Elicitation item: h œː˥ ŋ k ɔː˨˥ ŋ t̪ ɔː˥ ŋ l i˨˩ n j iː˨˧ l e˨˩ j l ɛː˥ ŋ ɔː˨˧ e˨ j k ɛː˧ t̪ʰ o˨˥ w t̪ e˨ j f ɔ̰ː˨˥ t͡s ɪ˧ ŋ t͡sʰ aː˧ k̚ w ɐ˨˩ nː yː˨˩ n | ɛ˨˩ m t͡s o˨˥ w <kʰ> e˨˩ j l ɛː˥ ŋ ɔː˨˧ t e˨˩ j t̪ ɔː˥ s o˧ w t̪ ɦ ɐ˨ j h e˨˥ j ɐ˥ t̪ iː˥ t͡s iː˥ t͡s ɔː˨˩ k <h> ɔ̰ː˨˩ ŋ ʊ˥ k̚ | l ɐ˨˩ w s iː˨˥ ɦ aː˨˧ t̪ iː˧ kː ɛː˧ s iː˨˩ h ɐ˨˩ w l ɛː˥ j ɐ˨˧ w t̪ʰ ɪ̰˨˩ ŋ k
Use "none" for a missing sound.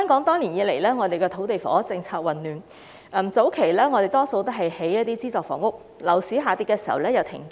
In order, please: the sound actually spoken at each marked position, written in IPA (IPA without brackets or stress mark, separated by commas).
kʰ, f